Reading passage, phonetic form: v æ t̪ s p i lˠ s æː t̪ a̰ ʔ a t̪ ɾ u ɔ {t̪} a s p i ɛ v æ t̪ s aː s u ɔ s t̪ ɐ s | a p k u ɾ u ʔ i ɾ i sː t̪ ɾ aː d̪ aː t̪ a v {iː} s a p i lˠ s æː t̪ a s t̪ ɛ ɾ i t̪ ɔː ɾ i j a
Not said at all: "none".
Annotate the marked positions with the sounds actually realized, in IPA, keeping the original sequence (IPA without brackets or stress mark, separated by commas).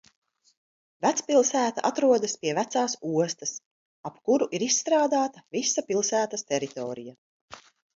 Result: d̪, i